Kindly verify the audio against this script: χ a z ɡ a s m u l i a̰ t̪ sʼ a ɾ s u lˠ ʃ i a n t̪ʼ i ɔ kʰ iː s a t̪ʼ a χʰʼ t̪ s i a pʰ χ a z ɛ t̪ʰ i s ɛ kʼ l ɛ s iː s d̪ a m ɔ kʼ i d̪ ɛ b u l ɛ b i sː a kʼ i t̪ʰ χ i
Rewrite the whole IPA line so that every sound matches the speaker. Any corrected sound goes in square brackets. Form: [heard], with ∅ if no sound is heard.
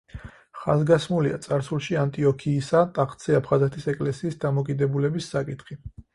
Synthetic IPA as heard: χ a z ɡ a s m u l i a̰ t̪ sʼ a ɾ s u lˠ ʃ i a n t̪ʼ i ɔ kʰ iː s a t̪ʼ a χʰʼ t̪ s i a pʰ χ a z ɛ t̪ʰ i s ɛ kʼ l ɛ s iː s d̪ a m ɔ kʼ i d̪ ɛ b u l ɛ b i sː a kʼ i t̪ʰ χ i